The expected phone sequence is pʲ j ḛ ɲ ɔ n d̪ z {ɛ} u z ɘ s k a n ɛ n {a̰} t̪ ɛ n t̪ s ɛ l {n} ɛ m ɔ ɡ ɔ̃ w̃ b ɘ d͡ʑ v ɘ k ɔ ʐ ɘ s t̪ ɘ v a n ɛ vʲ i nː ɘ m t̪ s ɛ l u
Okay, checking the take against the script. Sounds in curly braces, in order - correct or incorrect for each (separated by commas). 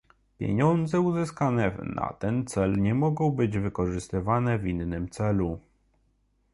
correct, correct, incorrect